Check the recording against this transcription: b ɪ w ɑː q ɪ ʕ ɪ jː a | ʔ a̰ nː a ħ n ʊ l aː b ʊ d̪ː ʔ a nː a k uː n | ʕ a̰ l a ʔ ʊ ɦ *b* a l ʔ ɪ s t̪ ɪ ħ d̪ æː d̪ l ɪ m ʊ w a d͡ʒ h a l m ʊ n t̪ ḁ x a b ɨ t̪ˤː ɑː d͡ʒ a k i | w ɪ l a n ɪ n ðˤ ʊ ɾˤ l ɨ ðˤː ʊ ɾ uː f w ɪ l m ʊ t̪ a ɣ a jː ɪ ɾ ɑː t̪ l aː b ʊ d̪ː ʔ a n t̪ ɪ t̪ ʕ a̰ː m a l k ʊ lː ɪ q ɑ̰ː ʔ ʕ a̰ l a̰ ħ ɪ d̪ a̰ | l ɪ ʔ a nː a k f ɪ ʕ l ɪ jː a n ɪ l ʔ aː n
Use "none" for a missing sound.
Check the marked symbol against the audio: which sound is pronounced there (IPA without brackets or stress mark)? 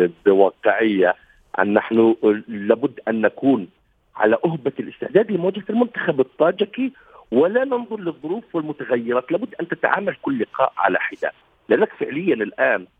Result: b